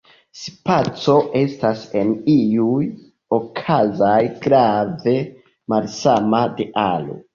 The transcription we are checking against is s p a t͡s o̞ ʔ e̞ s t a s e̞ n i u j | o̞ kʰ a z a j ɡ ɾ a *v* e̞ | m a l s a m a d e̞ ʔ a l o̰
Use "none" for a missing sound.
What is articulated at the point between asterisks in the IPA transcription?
v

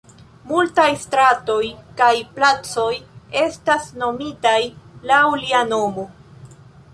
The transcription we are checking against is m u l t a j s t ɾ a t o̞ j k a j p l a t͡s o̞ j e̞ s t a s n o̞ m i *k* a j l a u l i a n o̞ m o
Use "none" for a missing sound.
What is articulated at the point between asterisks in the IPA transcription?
t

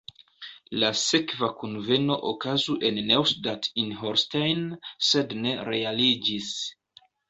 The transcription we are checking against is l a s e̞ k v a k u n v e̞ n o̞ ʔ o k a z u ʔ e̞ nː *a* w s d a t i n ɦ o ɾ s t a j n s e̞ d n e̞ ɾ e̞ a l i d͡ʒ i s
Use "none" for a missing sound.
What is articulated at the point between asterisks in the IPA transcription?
e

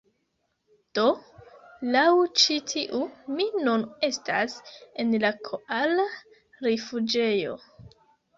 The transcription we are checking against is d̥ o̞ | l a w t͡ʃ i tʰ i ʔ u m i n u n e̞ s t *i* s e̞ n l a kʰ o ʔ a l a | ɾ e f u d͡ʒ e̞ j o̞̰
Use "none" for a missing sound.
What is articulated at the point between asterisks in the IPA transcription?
a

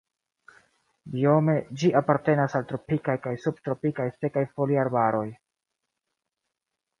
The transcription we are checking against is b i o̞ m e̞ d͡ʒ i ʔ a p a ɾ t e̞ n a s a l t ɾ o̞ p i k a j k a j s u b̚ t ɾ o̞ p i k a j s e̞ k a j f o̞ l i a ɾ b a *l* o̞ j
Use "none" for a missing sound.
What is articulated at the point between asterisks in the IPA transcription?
ɾ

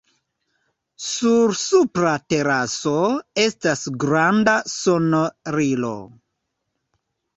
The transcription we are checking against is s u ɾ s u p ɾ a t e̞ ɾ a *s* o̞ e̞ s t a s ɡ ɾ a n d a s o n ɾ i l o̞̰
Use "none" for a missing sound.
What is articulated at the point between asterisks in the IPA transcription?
s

